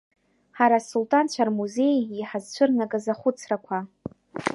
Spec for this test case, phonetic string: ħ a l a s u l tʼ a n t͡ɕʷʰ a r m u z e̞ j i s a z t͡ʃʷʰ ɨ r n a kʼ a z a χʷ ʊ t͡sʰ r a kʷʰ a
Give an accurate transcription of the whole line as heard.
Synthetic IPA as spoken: ħ a ɾ a s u l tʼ a n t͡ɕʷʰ a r m u z e̞ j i ħ a z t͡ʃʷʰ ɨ r n a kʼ a z a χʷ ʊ t͡sʰ r a kʷʰ a